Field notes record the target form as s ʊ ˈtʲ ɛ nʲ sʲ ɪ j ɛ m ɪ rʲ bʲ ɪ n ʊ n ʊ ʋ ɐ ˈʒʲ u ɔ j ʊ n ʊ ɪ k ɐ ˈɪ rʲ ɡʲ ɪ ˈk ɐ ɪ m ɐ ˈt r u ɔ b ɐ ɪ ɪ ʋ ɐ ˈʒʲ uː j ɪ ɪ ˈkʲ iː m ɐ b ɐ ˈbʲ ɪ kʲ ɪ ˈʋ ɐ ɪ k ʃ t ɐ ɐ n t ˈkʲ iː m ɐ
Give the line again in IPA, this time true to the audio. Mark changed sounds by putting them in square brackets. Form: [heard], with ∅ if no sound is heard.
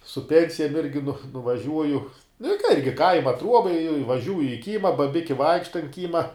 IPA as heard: s ʊ [ˈpʲ] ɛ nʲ sʲ ɪ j ɛ m ɪ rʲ [ɡʲ] ɪ n ʊ n ʊ ʋ ɐ ˈʒʲ u ɔ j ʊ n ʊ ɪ k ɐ ˈɪ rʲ ɡʲ ɪ ˈk ɐ ɪ m ɐ ˈt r u ɔ b ɐ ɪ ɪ ʋ ɐ ˈʒʲ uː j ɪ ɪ ˈkʲ iː m ɐ b ɐ ˈbʲ ɪ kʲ ɪ ˈʋ ɐ ɪ k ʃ t ɐ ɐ n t ˈkʲ iː m ɐ